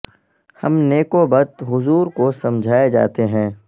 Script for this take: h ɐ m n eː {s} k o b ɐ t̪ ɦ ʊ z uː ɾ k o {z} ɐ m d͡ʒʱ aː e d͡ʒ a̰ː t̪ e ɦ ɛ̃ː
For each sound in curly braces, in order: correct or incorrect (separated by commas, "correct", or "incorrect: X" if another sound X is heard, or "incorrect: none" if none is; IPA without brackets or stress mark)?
incorrect: none, incorrect: s